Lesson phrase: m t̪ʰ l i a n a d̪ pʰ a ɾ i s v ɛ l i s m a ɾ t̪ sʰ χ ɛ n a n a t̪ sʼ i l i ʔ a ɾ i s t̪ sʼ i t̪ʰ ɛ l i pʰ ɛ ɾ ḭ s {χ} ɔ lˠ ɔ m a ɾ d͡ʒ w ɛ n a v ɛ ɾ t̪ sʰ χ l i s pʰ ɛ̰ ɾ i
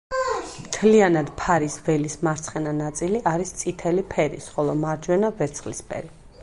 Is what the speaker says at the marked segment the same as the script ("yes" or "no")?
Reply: yes